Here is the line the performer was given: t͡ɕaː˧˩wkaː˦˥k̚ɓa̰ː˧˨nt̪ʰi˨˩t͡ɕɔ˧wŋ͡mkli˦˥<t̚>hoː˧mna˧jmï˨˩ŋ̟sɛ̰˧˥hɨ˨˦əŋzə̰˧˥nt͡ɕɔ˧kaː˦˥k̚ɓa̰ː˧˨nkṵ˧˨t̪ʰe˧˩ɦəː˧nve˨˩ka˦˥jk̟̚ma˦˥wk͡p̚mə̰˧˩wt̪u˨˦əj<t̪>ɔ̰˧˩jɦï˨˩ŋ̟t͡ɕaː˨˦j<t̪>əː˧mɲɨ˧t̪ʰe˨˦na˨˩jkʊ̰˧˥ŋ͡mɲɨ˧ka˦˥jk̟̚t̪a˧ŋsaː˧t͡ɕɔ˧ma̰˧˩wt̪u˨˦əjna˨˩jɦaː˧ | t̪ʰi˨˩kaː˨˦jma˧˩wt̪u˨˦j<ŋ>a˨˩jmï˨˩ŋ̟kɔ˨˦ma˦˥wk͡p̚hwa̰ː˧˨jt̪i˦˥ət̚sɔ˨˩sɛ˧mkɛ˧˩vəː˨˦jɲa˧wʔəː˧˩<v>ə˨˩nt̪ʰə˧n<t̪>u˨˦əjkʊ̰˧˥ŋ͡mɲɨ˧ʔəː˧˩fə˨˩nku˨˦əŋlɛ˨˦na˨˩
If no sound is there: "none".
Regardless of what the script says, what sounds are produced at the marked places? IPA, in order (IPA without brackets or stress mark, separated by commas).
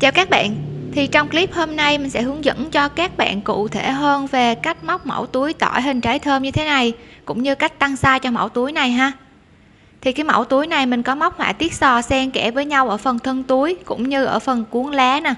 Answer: p̚, t̪, t̪ʰ, n, f, t̪